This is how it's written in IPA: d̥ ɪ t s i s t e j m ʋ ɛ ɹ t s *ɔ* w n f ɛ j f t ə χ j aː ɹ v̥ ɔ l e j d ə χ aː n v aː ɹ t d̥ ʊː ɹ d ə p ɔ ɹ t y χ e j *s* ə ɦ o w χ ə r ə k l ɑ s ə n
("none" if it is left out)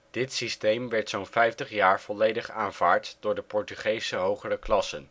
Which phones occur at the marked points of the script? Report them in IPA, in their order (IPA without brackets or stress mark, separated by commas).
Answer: o, s